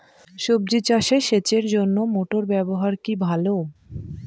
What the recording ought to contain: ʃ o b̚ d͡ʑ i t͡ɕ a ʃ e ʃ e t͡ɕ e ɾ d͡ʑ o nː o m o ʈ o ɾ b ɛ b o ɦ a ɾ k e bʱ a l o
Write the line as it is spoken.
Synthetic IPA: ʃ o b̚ d͡ʑ i t͡ɕ a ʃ e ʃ e t͡ɕ e ɾ d͡ʑ o nː o m o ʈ o ɾ b ɛ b o ɦ a ɾ k i bʱ a l o